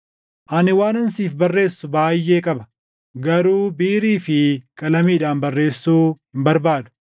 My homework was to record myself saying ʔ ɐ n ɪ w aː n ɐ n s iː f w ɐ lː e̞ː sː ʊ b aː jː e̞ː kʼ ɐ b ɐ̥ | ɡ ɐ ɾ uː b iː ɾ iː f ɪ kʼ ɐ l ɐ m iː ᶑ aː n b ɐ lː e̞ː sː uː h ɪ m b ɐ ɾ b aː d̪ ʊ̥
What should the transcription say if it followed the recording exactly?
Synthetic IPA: ʔ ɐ n ɪ w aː n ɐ n s iː f b ɐ rː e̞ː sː ʊ b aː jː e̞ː kʼ ɐ b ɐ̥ | ɡ ɐ ɾ uː b iː ɾ iː f ɪ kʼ ɐ l ɐ m iː ᶑ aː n b ɐ rː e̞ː sː uː h ɪ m b ɐ ɾ b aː d̪ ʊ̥